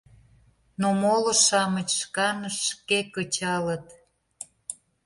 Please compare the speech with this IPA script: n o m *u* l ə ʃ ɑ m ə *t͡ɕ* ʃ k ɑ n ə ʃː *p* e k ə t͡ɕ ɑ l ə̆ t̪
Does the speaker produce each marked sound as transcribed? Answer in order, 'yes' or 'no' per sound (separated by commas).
no, yes, no